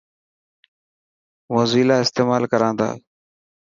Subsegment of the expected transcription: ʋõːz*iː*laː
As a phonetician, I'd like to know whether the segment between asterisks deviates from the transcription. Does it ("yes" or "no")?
no